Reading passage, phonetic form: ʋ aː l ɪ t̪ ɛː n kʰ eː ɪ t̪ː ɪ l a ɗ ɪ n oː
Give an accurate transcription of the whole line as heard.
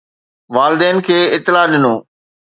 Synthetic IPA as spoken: ʋ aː l ɪ d̪ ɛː n kʰ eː ɪ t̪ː ɪ l a ɗ ɪ n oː